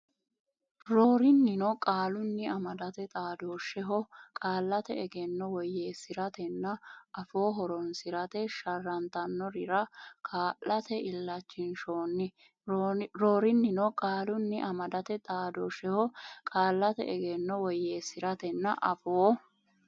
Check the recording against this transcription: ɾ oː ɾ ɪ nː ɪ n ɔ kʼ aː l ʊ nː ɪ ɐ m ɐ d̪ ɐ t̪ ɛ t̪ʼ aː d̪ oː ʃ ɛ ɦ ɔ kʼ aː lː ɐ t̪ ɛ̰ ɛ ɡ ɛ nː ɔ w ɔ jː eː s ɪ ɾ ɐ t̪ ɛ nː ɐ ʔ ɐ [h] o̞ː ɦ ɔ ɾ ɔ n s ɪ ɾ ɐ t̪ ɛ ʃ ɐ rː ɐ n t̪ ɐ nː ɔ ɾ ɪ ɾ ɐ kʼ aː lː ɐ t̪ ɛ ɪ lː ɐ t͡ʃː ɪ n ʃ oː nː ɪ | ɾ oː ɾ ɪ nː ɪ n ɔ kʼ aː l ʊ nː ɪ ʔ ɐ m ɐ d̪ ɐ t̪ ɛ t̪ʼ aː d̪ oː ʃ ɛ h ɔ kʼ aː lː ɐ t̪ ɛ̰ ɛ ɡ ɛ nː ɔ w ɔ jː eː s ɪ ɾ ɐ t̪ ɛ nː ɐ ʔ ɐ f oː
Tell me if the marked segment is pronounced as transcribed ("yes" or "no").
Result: no